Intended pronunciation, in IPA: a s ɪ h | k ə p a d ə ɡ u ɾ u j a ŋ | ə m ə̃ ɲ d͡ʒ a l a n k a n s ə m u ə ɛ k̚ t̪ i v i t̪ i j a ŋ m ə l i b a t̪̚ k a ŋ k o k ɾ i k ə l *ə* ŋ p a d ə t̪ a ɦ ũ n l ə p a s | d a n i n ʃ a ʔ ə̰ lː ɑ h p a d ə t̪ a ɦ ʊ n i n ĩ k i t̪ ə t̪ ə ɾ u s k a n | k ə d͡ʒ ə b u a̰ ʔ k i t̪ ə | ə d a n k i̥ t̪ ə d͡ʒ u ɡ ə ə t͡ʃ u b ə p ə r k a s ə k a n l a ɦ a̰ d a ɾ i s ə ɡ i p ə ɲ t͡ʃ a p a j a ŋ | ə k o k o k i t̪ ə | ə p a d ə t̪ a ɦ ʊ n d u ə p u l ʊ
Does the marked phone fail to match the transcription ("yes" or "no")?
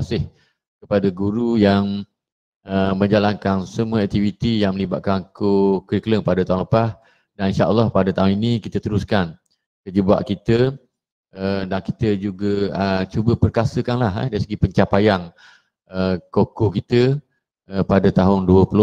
no